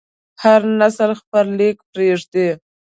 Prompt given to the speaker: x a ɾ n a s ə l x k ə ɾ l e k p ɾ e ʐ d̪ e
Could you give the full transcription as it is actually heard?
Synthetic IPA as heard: h a ɾ n a s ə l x p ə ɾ l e k p ɾ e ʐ d̪ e